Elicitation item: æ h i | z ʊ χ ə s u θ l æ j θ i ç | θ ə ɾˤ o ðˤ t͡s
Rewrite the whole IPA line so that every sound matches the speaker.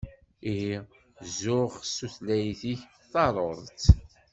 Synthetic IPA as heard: i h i | z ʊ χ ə s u θ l æ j θ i ç | θ ɑ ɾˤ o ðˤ t͡s